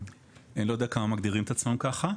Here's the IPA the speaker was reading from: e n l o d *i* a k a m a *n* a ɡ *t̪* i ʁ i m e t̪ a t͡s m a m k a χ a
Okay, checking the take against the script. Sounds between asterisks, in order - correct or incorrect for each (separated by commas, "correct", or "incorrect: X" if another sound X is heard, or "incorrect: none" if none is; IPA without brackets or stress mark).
incorrect: e, incorrect: m, incorrect: d̪